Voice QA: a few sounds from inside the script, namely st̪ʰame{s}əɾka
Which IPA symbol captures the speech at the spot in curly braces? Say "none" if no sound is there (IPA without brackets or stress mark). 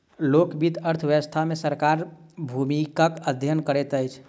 s